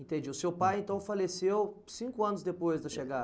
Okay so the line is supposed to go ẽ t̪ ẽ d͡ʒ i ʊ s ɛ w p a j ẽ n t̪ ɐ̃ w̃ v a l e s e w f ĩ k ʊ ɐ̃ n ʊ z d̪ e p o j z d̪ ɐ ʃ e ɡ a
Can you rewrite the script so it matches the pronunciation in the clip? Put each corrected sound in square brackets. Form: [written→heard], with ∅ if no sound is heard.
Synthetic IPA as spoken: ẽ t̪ ẽ d͡ʒ i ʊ s [ɛ→e] w p a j ẽ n t̪ ɐ̃ w̃ [v→f] a l e s e w [f→s] ĩ k ʊ ɐ̃ n ʊ z d̪ e p o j z d̪ ɐ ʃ e ɡ a